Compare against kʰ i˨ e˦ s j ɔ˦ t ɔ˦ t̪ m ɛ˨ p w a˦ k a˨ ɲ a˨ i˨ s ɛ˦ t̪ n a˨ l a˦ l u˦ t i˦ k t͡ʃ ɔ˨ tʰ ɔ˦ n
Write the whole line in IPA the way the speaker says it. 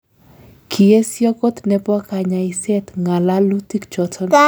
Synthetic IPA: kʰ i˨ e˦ s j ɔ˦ k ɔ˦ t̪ n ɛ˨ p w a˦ k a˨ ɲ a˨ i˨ s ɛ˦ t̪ ŋ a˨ l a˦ l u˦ t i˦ k t͡ʃ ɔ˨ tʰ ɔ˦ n